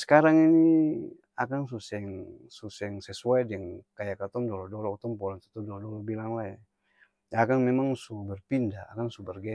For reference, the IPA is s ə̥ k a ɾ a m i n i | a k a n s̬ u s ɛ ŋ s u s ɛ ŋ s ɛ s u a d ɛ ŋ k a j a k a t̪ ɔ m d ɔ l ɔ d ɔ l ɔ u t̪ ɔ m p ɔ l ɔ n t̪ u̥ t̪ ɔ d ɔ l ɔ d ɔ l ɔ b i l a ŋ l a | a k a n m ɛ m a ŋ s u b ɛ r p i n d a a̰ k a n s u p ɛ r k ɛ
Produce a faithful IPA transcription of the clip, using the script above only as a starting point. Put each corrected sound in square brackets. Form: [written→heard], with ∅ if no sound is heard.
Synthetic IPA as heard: s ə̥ k a ɾ a [m→ŋ] i n i | a k a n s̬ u s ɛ ŋ s u s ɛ ŋ s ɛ s u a d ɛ ŋ k a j a k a t̪ ɔ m d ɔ l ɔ d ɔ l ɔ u t̪ ɔ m p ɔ l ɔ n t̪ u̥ t̪ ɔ d ɔ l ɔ d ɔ l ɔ b i l a ŋ l a | a k a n m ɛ m a ŋ s u b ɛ r p i n d a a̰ k a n s u [p→b] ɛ r [k→ɡ] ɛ